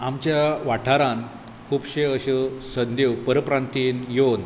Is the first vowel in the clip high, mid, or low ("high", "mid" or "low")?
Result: low